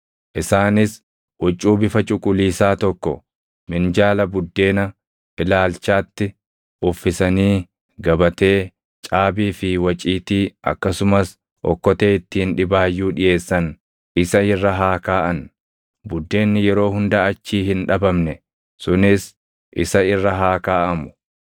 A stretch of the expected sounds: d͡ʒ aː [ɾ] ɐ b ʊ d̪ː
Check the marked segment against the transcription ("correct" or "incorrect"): incorrect